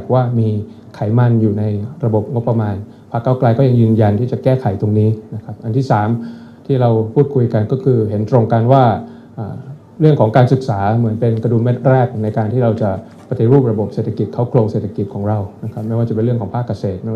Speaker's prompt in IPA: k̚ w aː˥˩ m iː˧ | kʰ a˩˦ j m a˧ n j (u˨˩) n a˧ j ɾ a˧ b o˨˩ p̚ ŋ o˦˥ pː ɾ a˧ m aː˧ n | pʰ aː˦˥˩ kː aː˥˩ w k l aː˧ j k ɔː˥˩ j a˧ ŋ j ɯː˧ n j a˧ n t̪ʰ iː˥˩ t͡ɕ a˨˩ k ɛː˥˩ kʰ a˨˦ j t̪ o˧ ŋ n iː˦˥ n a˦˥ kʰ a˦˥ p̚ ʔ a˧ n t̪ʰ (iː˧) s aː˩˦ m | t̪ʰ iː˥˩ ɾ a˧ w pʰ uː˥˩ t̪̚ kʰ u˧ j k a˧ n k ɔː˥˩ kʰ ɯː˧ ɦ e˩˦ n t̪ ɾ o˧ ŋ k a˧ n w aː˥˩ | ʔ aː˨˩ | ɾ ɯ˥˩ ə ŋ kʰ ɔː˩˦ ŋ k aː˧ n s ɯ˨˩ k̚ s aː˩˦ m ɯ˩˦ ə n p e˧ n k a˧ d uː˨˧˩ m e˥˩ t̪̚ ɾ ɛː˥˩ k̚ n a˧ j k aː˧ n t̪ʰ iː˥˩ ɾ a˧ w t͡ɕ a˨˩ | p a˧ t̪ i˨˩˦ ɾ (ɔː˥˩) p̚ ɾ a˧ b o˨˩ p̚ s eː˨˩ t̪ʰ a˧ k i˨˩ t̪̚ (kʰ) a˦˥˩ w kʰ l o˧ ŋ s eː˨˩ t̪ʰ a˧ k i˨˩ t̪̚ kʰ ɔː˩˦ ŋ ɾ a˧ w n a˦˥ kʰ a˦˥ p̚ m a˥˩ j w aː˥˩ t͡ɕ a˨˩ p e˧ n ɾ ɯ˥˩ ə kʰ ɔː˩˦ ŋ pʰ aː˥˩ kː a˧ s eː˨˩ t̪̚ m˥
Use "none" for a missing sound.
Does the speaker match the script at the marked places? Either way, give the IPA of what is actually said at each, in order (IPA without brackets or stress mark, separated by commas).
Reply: uː˨˩, iː˥˩, uː˥˩, kʰ